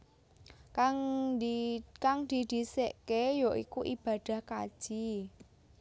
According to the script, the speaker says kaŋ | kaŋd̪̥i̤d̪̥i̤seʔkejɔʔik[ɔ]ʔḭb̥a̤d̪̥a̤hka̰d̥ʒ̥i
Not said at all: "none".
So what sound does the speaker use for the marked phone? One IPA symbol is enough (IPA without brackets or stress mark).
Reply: u